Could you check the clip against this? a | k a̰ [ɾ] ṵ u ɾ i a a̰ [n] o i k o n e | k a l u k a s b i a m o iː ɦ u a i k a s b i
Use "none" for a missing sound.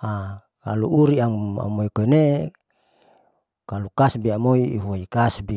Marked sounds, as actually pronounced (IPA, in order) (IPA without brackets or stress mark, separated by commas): l, m